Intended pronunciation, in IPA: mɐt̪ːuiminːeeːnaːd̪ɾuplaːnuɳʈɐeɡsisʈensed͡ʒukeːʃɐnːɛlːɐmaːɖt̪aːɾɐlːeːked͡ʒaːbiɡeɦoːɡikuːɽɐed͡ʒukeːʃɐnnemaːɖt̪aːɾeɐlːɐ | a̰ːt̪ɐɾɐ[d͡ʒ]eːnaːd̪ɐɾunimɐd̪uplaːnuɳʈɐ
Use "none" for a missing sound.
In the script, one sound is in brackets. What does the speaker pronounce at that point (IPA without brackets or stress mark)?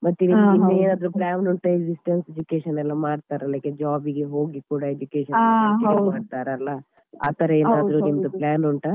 none